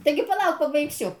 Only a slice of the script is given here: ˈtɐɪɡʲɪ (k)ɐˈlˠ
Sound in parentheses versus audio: incorrect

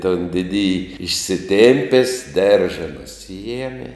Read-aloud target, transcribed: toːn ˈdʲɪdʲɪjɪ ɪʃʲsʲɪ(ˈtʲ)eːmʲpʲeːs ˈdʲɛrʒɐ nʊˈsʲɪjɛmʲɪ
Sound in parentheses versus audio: correct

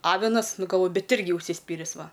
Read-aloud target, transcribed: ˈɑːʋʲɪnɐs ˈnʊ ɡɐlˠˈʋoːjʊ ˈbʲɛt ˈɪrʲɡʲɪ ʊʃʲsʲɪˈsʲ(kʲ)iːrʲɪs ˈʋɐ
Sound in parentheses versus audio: incorrect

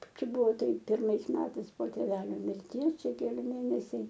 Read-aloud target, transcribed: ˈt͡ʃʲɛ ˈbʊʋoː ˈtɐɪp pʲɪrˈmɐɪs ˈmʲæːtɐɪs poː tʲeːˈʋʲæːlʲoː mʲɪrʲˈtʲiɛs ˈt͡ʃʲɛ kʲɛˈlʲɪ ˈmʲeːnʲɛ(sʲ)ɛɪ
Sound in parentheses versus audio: correct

